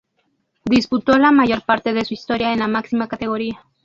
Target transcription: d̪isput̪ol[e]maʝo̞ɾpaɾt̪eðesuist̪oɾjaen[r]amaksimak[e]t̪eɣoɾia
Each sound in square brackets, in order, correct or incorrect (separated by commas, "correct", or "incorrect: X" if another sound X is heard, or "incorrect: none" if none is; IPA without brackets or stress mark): incorrect: a, incorrect: l, incorrect: a